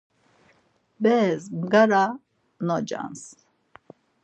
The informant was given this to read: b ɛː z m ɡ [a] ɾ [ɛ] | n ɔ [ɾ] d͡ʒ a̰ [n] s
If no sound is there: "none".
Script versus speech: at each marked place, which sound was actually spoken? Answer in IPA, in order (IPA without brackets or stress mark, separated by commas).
a, a, none, n